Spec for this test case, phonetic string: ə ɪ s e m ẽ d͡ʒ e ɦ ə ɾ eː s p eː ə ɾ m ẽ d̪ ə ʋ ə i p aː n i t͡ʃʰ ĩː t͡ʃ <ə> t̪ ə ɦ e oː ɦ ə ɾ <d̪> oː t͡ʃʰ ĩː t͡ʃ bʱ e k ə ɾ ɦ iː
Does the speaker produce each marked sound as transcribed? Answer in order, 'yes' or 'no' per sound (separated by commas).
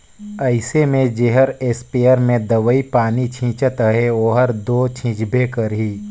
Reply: yes, yes